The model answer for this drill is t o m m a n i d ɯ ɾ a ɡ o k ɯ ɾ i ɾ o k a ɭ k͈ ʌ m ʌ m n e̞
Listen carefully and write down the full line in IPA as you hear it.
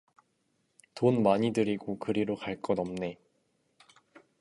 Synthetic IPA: t o n m a ɲ i d ɯ ɾ i ɡ o k ɯ ɾ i ɾ o k a ɭ k͈ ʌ n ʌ m n e̞